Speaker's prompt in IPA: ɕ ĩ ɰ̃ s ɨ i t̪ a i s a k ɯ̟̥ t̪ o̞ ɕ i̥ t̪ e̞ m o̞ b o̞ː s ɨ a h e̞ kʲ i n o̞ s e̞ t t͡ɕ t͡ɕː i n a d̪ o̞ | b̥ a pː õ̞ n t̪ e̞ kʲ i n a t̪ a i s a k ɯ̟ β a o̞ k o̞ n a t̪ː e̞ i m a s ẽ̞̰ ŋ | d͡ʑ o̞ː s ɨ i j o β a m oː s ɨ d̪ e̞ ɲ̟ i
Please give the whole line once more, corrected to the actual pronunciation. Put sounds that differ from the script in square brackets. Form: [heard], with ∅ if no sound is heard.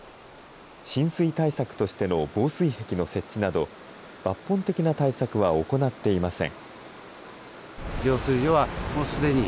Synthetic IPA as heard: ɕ ĩ ɰ̃ s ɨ i t̪ a i s a k ɯ̟̥ t̪ o̞ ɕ i̥ t̪ e̞ [n] o̞ b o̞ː s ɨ [i] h e̞ kʲ i n o̞ s e̞ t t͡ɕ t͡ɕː i n a d̪ o̞ | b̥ a pː õ̞ n t̪ e̞ kʲ i n a t̪ a i s a k ɯ̟ β a o̞ k o̞ n a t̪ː e̞ i m a s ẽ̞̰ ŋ | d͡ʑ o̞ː s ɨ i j o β a m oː s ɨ d̪ e̞ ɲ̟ i